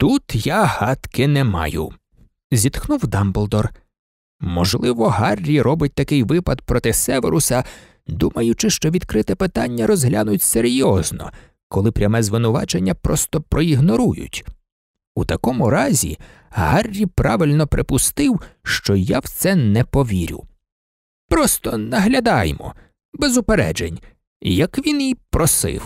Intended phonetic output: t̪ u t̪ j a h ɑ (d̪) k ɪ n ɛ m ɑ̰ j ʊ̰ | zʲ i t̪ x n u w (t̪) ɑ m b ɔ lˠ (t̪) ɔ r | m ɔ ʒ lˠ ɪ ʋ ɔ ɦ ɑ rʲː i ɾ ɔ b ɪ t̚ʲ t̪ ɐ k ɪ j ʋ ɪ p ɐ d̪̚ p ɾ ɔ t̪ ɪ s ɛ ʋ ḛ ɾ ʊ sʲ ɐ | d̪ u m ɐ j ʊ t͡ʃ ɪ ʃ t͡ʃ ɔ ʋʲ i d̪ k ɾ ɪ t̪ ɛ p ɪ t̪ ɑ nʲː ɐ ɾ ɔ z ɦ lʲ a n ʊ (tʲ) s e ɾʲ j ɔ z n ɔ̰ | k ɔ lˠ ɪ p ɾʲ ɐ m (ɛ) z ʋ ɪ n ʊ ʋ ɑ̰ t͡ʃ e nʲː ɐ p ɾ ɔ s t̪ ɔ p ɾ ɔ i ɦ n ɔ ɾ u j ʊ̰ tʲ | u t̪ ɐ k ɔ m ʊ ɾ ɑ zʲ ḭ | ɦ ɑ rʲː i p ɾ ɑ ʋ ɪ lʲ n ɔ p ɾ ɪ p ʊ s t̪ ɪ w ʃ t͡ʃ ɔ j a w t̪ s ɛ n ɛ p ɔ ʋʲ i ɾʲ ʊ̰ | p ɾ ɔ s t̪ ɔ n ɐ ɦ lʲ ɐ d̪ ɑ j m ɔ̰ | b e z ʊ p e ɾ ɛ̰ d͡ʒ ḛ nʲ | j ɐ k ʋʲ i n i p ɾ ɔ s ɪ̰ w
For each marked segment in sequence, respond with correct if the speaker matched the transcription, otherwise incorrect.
incorrect: t̪, incorrect: d̪, incorrect: d̪, correct, correct

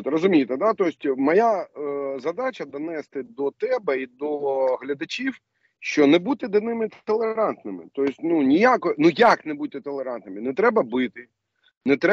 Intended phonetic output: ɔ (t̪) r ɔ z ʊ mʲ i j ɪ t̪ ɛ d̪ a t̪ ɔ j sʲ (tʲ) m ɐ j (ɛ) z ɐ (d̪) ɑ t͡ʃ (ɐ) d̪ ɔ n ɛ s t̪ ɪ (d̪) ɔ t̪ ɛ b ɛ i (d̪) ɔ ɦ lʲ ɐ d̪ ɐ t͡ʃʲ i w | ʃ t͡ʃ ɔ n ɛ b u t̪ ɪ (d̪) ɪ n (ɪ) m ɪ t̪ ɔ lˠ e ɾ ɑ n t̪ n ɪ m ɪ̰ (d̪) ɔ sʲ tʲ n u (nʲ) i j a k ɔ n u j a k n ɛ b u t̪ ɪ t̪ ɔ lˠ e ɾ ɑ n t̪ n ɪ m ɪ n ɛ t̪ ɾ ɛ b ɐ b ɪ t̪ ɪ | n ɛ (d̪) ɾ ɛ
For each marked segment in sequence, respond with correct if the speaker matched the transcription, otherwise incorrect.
correct, correct, incorrect: a, correct, correct, correct, correct, correct, correct, incorrect: t̪, correct, incorrect: t̪

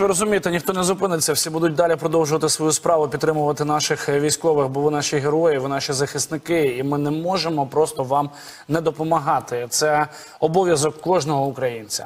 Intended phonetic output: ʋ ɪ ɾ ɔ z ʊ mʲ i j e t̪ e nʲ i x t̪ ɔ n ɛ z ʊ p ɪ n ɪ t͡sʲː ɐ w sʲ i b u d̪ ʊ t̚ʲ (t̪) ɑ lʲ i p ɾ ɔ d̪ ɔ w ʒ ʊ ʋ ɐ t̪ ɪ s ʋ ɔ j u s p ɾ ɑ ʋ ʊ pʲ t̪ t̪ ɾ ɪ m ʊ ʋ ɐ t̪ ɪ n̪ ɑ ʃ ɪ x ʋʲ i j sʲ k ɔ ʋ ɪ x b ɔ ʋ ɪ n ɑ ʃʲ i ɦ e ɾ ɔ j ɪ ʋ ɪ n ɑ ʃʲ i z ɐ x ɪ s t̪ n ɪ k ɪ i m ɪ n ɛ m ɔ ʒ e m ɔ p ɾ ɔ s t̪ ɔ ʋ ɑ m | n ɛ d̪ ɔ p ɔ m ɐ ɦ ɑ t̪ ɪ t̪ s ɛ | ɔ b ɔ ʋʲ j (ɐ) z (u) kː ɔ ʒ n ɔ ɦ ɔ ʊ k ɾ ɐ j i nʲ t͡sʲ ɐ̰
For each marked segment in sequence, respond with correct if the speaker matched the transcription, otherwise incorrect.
incorrect: d̪, correct, incorrect: ɔ

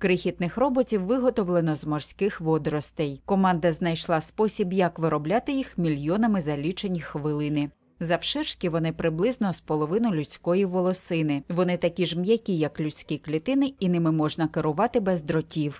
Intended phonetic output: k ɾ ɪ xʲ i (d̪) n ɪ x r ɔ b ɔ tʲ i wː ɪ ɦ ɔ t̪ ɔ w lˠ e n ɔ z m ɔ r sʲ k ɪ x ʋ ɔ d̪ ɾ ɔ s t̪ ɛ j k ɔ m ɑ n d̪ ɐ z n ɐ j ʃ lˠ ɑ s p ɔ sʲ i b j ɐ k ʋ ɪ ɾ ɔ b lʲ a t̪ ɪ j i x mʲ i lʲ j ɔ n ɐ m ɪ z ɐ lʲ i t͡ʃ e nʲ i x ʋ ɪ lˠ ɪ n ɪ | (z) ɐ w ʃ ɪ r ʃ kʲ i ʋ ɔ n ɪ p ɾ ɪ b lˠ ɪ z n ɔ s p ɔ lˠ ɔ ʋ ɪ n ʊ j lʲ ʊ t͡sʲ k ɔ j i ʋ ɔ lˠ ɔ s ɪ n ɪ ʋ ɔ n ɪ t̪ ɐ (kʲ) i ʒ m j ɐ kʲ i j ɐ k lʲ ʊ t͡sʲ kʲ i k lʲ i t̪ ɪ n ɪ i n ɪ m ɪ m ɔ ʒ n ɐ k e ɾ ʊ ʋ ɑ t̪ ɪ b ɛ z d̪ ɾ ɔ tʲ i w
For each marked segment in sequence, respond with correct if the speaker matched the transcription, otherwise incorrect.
incorrect: t̪, correct, correct

